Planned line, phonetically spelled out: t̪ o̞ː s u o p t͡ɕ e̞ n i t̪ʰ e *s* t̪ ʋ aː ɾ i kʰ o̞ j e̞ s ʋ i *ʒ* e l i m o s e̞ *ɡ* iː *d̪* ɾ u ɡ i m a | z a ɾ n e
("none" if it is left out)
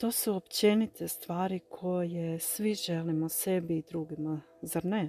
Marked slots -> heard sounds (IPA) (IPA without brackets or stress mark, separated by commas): s, ʒ, b, d̪